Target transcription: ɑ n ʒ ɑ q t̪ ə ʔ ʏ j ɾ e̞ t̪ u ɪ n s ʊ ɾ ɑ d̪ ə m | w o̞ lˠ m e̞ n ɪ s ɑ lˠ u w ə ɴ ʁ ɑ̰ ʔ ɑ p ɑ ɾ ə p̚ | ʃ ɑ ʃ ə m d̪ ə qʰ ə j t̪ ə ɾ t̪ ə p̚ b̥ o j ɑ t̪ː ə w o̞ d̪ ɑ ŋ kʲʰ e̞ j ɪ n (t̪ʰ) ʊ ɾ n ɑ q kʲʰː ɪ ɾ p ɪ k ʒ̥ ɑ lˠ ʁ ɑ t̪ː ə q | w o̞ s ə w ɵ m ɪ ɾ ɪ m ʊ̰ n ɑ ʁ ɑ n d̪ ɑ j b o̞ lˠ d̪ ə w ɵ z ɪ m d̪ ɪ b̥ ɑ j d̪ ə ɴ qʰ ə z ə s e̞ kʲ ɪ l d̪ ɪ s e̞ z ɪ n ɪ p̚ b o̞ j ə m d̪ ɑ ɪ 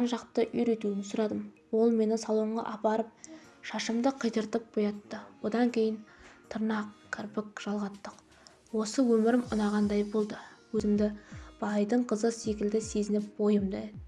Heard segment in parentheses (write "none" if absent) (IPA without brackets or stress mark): t̪ʰ